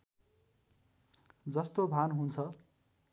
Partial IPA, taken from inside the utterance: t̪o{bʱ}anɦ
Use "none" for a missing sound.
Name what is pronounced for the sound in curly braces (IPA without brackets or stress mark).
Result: bʱ